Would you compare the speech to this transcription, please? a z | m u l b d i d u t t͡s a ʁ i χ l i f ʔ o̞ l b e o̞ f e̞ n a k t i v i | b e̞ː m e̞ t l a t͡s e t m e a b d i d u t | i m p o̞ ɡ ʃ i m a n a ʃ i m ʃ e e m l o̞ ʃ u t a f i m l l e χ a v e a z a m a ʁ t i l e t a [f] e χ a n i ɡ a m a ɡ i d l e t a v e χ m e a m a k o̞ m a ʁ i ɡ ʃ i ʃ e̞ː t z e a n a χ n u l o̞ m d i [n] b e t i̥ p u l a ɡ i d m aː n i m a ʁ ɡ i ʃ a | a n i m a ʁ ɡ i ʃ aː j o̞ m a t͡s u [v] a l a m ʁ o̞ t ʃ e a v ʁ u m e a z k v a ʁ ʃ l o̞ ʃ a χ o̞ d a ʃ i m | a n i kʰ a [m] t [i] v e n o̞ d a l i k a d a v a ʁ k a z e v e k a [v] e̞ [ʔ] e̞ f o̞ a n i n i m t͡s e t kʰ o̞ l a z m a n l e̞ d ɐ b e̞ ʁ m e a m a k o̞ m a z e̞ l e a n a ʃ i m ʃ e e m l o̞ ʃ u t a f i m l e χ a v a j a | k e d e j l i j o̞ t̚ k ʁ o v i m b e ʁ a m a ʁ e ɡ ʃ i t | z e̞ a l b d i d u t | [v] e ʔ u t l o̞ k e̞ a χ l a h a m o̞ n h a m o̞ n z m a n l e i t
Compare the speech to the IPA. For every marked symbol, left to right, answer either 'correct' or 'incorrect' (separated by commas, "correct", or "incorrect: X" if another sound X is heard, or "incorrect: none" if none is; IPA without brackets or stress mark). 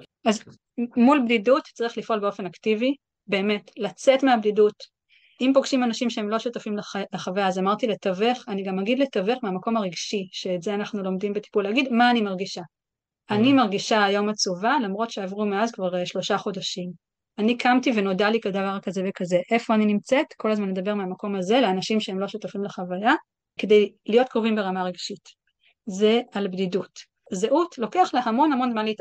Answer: incorrect: v, incorrect: m, correct, correct, correct, incorrect: z, correct, incorrect: z